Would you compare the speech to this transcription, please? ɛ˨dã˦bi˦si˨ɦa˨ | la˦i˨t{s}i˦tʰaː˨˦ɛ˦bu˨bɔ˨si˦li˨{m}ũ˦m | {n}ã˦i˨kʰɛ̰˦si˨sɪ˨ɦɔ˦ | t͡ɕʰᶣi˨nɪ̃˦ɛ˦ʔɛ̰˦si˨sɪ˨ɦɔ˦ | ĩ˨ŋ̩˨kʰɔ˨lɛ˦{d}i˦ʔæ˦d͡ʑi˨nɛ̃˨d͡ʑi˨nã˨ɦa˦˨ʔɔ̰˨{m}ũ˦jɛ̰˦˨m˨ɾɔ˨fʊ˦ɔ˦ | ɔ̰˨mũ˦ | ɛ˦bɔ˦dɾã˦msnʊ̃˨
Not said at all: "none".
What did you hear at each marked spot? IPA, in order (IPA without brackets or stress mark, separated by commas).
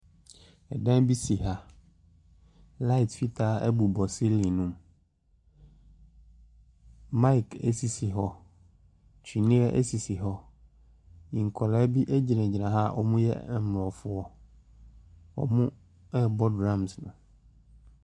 f, n, m, b, m